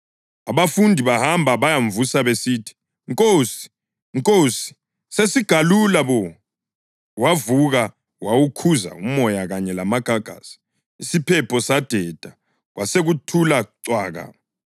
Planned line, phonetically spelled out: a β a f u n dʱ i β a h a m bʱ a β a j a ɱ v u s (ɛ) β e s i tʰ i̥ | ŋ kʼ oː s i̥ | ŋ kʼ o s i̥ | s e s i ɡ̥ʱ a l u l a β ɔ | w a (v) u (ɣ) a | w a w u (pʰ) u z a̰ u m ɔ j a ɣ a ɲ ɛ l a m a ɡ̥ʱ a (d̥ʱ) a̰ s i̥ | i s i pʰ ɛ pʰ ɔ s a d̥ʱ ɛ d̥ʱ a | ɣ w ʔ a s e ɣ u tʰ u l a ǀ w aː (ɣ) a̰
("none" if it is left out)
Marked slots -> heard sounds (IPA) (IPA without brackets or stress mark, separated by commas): a, v, ɣ, kʰ, ɡ̥ʱ, ɣ